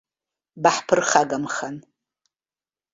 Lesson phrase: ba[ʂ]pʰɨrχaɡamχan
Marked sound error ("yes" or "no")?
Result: yes